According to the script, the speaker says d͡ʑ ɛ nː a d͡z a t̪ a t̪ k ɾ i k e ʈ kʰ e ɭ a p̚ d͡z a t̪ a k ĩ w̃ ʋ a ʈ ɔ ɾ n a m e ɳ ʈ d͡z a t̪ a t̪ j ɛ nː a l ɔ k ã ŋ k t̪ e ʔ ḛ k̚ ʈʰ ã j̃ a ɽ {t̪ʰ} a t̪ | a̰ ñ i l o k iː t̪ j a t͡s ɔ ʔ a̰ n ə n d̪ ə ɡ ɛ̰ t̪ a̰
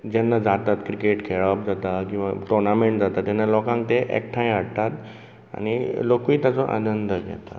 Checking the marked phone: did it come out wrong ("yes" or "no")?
yes